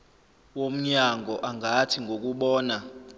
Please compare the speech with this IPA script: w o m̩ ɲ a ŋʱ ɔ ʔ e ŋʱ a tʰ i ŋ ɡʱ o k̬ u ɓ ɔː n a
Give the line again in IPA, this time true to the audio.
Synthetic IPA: w o m̩ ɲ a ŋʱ ɔ ʔ a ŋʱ a tʰ i ŋ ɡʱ o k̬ u ɓ ɔː n a